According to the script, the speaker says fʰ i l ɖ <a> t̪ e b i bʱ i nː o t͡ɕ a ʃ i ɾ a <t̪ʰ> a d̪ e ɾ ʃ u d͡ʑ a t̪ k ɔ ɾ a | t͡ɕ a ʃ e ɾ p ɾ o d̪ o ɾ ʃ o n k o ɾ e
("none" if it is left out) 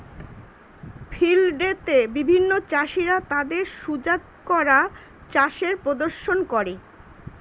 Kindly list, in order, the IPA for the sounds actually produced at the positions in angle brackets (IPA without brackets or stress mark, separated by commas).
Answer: e, t̪